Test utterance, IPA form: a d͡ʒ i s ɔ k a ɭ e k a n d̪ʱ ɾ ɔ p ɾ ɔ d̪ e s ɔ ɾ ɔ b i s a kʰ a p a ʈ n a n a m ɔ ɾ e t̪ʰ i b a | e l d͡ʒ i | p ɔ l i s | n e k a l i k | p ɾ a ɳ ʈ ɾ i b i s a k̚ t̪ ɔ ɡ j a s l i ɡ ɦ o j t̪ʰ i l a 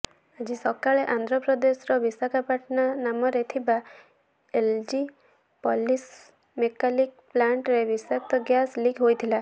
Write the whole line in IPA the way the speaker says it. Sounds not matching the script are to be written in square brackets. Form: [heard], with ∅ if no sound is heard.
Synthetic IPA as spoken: a d͡ʒ i s ɔ k a ɭ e [ʔ] a n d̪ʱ ɾ ɔ p ɾ ɔ d̪ e s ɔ ɾ ɔ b i s a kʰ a p a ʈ n a n a m ɔ ɾ e t̪ʰ i b a | e l d͡ʒ i | p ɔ l i s | [m] e k a l i k | p [l] a ɳ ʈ ɾ [e] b i s a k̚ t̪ ɔ ɡ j a s l i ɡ ɦ o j t̪ʰ i l a